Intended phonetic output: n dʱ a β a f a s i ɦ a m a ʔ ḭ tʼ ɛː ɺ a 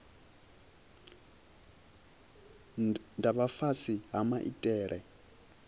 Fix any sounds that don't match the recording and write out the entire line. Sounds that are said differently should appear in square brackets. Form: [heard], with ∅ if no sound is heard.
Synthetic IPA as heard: n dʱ a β a f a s i ɦ a m a ʔ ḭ tʼ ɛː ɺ [ɛ]